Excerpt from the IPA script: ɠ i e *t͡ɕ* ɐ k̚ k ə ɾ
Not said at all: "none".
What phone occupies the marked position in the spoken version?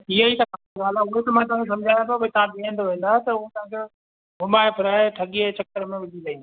t͡ɕ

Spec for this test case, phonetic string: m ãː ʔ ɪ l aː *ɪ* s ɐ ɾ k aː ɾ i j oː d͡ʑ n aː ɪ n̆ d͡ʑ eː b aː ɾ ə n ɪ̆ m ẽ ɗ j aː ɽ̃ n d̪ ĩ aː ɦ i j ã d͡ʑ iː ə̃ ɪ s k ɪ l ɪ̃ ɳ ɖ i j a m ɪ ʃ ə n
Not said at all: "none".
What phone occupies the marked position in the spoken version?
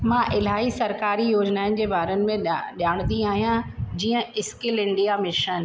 i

